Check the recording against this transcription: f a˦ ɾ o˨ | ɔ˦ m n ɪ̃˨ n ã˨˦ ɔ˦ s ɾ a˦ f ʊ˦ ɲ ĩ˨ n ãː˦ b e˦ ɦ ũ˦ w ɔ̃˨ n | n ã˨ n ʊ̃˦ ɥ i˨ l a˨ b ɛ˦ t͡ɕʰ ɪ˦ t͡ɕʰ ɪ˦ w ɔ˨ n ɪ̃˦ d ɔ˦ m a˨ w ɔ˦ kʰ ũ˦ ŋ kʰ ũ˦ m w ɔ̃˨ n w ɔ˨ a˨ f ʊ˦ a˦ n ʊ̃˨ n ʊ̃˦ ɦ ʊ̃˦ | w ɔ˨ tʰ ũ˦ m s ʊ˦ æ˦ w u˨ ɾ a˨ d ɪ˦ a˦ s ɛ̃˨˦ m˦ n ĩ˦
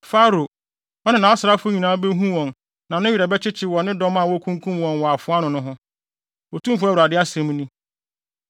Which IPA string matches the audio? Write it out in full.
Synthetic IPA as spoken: f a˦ ɾ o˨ | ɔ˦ n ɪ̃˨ n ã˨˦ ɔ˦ s ɾ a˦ f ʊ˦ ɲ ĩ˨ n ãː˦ b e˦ ɦ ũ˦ w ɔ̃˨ n | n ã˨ n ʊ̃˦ ɥ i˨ ɾ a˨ b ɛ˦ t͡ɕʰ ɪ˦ t͡ɕʰ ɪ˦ w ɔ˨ n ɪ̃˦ d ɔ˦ m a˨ w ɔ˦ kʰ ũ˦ ŋ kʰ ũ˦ m w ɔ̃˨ n w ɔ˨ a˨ f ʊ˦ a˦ n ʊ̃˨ n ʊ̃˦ ɦ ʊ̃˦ | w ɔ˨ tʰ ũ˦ m f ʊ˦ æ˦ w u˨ ɾ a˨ d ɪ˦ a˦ s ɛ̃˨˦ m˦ n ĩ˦

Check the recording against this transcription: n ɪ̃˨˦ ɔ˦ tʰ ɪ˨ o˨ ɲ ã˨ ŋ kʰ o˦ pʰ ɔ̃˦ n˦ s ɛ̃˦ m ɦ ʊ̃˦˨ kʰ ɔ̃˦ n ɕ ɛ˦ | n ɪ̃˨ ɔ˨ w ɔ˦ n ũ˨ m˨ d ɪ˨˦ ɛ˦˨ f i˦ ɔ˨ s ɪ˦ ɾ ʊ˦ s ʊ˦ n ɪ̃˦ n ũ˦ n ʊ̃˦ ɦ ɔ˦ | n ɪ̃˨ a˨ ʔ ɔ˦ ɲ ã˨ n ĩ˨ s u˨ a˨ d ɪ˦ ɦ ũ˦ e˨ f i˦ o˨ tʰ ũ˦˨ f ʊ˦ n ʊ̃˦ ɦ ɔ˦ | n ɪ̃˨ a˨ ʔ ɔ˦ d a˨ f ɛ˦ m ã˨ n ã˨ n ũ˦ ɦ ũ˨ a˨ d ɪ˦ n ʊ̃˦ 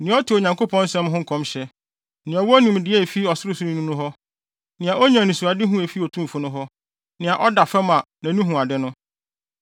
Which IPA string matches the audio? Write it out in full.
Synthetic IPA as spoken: n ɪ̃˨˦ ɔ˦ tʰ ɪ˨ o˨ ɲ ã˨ ŋ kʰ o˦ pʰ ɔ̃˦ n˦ s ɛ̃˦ m ɦ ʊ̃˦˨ kʰ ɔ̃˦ m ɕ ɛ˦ | n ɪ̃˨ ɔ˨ w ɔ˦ n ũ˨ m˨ d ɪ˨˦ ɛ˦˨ f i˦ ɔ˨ s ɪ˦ ɾ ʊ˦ s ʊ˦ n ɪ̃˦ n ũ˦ n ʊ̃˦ ɦ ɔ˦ | n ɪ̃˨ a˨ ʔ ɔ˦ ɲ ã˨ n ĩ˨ s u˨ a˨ d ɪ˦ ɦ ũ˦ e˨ f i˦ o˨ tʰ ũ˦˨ f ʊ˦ n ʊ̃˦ ɦ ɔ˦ | n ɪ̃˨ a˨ ʔ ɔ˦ d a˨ f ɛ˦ m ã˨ n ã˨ n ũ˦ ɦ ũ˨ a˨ d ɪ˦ n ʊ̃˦

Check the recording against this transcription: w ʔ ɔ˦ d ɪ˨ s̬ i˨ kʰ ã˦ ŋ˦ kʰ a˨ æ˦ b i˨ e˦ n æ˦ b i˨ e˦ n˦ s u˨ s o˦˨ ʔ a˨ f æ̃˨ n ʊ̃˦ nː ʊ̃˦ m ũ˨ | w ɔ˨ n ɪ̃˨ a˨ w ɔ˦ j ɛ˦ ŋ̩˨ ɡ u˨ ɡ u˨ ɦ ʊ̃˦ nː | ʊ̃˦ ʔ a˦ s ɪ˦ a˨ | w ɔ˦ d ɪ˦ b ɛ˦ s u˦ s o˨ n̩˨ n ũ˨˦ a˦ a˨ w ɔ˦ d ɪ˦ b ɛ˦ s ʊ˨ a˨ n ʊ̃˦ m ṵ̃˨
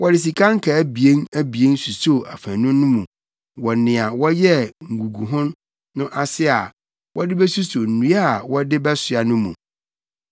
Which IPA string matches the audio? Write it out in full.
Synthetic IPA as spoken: w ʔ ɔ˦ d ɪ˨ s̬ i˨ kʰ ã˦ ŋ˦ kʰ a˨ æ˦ b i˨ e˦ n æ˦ b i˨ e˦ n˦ s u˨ s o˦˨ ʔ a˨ f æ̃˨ n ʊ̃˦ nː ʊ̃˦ m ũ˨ | w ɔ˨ n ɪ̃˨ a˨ w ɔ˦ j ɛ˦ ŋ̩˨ ɡ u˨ ɡ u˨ ɦ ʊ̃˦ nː | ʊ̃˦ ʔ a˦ s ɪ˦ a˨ | w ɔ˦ d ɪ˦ b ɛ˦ s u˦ s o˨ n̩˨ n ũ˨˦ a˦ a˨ w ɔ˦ d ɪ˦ b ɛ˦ s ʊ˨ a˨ n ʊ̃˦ m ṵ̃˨

